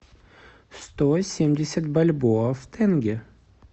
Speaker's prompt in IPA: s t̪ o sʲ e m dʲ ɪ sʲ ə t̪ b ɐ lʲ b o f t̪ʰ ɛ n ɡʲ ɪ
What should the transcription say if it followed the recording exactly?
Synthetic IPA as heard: s t̪ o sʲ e m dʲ ɪ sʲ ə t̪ b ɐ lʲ b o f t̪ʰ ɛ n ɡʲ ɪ